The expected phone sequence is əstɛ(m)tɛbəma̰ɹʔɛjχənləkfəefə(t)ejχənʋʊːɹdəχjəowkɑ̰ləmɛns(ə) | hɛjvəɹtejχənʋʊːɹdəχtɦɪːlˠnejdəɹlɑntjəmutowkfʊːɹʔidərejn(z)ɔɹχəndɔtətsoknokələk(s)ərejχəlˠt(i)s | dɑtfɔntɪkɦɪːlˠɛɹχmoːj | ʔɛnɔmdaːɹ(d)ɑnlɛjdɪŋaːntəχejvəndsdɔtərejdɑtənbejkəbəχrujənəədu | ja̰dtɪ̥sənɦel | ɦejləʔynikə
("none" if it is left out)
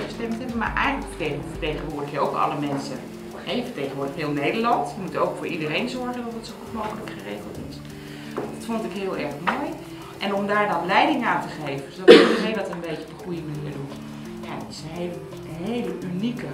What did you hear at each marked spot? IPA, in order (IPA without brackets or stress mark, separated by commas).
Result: m, t, ə, z, χ, ɪ, d